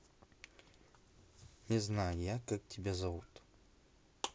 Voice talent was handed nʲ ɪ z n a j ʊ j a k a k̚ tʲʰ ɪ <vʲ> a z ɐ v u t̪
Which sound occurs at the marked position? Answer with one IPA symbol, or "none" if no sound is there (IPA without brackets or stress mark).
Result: bʲ